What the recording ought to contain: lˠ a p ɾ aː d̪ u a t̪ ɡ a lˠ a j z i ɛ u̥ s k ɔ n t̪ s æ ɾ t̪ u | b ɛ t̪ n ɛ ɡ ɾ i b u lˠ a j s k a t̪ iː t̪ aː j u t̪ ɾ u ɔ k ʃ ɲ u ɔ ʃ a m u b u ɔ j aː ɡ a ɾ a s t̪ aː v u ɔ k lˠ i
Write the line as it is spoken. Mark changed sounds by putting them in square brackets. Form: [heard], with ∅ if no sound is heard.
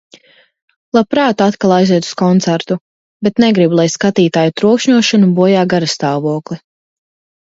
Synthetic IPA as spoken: lˠ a p ɾ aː [t̪] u a t̪ [k] a lˠ a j z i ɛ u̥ s k ɔ n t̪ s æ ɾ t̪ u | b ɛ t̪ n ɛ ɡ ɾ i b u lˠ a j s k a t̪ iː t̪ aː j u t̪ ɾ u ɔ k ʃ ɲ u ɔ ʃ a [n] u b u ɔ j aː ɡ a ɾ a s t̪ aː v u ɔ k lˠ i